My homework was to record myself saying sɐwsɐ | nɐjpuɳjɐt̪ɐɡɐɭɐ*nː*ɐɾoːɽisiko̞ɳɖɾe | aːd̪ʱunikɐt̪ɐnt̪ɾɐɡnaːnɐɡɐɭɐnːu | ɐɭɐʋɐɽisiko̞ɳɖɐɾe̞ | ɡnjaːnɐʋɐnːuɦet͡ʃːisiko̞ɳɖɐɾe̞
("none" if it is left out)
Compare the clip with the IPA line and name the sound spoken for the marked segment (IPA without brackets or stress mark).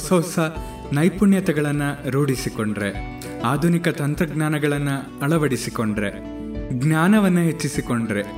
nː